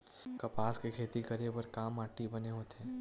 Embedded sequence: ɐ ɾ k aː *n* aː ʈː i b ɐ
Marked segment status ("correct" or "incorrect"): incorrect